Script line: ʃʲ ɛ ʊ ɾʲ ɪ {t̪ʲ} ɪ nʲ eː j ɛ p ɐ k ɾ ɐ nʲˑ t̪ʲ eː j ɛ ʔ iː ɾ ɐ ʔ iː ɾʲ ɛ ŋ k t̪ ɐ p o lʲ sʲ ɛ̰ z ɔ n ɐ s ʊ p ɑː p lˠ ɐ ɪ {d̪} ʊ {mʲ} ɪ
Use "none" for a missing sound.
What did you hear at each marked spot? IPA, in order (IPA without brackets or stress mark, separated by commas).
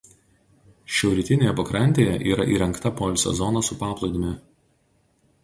t̪ʲ, d̪, mʲ